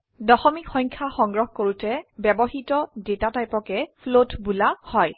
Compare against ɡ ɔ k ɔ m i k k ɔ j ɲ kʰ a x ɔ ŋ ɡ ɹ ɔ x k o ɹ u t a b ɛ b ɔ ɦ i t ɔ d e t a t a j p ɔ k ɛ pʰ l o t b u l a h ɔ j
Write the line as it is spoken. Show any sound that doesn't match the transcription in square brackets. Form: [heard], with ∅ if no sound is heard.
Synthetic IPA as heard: [d] ɔ [x] ɔ m i k [x] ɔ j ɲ kʰ a x ɔ ŋ ɡ ɹ ɔ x k o ɹ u t [ɛ] b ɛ b ɔ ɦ i t ɔ d e t a t a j p ɔ k ɛ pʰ l o t b u l a h ɔ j